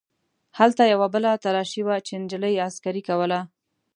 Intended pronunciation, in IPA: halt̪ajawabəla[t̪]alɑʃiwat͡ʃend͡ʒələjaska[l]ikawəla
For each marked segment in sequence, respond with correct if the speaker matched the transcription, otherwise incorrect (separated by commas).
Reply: correct, incorrect